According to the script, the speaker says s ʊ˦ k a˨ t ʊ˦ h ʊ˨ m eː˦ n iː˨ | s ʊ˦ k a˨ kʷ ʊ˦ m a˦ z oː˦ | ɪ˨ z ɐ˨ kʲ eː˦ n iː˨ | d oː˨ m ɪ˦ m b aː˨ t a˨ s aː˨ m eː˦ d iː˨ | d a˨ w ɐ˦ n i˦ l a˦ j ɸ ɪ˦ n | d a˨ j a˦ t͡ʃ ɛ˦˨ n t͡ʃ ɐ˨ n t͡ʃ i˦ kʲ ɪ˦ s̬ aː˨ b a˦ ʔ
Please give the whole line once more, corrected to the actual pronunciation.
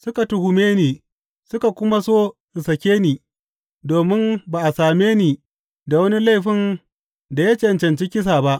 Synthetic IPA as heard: s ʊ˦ k a˨ t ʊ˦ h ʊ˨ m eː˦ n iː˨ | s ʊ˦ k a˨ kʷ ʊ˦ m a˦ s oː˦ | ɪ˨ s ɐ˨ kʲ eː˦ n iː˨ | d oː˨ m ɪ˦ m b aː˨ ʔ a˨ s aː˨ m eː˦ n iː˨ | d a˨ w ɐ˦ n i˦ l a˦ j ɸ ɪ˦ n | d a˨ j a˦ t͡ʃ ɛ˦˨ n t͡ʃ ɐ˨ n t͡ʃ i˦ kʲ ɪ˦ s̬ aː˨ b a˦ ʔ